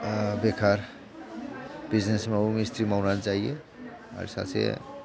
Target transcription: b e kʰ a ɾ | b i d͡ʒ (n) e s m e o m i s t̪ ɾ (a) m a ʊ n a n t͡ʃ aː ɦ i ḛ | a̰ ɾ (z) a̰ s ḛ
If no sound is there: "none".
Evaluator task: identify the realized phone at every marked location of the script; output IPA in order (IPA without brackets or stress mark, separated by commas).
n, i, s